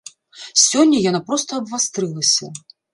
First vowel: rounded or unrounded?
rounded